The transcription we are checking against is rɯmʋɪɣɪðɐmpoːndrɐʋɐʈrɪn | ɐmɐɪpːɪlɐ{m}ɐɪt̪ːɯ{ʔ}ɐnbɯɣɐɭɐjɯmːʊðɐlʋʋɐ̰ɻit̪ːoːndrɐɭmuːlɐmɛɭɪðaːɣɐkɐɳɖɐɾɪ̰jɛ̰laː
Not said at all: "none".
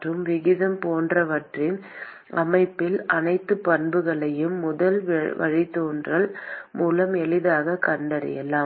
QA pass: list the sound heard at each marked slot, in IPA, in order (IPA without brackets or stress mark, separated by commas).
n, p